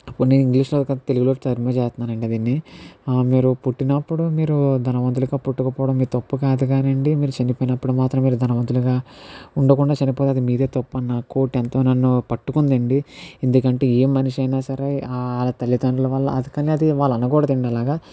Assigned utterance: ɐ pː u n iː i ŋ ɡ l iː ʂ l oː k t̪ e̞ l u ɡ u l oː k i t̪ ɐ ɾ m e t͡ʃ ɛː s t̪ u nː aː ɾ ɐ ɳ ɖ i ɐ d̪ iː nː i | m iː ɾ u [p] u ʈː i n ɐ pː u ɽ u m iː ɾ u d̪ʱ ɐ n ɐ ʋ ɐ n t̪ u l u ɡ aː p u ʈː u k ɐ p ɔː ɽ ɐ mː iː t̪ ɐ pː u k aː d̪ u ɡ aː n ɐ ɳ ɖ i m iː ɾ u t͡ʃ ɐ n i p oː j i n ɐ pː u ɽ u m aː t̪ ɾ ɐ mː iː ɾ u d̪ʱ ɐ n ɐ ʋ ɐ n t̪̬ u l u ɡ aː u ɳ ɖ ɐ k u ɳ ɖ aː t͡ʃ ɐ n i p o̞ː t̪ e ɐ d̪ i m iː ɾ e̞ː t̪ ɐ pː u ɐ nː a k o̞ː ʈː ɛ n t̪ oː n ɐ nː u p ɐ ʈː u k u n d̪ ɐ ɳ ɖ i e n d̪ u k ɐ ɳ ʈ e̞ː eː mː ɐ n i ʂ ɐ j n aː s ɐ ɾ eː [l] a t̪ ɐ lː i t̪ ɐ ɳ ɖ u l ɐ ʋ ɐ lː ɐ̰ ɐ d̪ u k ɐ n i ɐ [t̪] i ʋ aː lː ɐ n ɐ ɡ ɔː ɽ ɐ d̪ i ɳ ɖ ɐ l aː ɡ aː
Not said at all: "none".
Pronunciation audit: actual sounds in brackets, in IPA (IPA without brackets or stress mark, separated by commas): p, l, d̪